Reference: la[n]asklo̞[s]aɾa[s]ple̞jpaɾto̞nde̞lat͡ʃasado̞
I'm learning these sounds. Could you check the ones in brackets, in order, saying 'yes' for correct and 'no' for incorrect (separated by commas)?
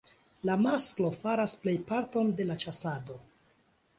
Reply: no, no, yes